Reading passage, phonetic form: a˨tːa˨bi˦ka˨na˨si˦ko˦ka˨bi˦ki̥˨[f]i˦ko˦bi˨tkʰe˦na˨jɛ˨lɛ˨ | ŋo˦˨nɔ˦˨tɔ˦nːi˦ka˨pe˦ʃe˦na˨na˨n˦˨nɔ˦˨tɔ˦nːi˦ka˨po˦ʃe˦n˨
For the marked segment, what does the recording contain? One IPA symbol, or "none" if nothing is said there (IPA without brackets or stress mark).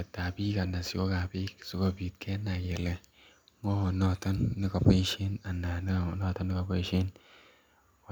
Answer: s